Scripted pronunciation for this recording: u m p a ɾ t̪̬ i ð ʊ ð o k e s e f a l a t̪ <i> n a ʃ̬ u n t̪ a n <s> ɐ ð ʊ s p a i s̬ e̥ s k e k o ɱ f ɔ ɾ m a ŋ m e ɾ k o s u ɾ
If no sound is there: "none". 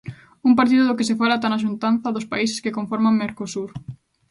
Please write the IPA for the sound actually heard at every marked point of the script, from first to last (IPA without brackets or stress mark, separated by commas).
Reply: a, θ